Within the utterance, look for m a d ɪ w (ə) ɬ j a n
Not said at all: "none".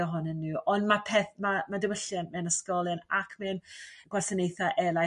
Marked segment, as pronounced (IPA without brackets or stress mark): ə